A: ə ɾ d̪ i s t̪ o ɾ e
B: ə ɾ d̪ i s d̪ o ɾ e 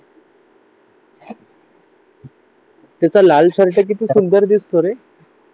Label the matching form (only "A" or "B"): A